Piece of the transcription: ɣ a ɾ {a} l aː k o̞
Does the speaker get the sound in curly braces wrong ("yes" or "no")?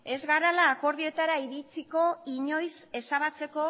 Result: no